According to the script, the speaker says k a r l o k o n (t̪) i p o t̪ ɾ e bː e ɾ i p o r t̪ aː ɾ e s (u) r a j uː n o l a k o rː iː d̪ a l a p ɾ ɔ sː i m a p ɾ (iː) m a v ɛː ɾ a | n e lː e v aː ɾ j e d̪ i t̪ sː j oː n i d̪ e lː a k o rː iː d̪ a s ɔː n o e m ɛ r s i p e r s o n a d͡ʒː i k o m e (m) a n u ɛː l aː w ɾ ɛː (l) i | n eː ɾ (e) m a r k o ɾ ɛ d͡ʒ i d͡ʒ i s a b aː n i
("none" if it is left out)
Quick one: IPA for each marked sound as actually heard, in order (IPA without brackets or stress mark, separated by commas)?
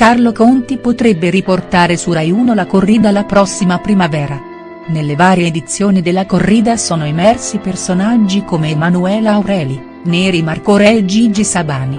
t̪, u, i, m, l, i